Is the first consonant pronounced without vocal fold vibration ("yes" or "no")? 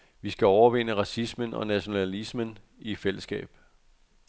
no